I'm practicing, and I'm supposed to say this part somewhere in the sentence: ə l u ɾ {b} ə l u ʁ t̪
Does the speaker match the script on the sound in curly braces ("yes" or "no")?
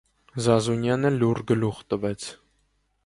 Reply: no